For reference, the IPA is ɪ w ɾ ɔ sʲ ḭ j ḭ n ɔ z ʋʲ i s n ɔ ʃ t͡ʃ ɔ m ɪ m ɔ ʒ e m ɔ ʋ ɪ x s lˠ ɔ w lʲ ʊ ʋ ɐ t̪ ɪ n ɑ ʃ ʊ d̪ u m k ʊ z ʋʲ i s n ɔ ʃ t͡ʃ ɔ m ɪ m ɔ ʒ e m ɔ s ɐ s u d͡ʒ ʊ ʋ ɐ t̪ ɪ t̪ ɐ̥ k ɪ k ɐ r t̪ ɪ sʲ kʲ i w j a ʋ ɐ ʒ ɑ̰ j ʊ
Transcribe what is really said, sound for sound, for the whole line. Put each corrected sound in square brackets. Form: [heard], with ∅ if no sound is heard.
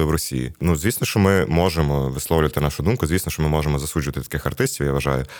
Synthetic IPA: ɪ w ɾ ɔ sʲ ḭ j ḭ n [u] z ʋʲ i s n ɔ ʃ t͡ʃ ɔ m ɪ m ɔ ʒ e m ɔ ʋ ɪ [∅] s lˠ ɔ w lʲ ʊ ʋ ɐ t̪ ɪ n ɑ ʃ ʊ d̪ u m k ʊ z ʋʲ i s n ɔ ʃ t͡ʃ ɔ m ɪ m ɔ ʒ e m ɔ [z] ɐ s u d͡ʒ ʊ ʋ ɐ t̪ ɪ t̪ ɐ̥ k ɪ [x] ɐ r t̪ ɪ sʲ [tʲ] i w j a ʋ ɐ ʒ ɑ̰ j ʊ